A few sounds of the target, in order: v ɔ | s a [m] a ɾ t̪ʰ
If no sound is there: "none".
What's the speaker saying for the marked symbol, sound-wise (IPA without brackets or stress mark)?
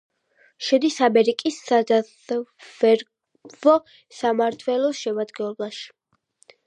m